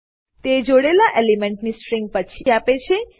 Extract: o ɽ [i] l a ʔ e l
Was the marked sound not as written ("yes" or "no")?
yes